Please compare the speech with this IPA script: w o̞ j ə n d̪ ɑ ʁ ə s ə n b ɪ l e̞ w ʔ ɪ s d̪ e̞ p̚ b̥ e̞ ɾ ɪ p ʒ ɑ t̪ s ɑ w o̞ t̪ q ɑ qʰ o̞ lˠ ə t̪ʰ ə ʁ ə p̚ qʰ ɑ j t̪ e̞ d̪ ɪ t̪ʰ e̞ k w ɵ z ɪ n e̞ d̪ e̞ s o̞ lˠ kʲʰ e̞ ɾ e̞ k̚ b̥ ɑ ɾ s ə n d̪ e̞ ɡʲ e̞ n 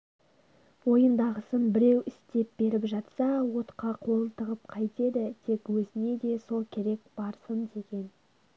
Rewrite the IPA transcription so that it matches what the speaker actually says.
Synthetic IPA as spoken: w o̞ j ə n d̪ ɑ ʁ ə s ə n b ɪ ɾ e̞ w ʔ ɪ s t̪ e̞ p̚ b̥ e̞ ɾ ɪ p ʒ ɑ t̪ s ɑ w o̞ t̪ q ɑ qʰ o̞ lˠ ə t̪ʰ ə ʁ ə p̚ qʰ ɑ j t̪ e̞ d̪ ɪ t̪ʰ e̞ k w ɵ z ɪ n e̞ d̪ e̞ s o̞ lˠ kʲʰ e̞ ɾ e̞ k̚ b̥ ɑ ɾ s ə n d̪ e̞ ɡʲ e̞ n